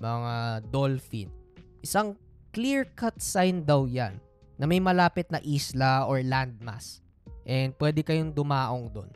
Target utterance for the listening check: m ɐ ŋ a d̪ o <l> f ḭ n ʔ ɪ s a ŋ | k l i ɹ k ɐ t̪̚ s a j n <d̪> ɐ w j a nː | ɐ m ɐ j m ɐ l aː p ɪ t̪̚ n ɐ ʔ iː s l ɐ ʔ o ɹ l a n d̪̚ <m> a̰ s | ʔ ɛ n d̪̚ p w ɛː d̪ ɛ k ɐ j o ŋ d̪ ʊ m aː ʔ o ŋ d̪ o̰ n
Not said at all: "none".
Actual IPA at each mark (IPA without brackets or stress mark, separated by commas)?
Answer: l, d̪, m